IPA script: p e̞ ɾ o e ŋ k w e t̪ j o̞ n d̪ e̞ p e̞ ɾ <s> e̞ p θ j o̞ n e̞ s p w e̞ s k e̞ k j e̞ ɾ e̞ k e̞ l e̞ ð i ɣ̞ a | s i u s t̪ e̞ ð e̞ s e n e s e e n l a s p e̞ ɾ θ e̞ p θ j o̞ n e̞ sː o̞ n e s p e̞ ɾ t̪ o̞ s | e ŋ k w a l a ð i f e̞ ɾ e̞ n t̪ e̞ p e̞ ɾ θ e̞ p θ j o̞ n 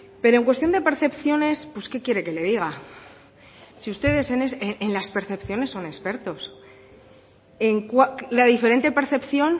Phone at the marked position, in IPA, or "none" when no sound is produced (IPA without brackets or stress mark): θ